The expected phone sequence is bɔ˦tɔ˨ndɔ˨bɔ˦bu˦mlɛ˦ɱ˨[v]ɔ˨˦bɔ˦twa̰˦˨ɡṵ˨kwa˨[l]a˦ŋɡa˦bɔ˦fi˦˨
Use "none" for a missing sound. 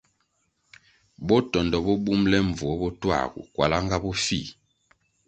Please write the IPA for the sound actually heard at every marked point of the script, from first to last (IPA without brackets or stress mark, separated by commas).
v, l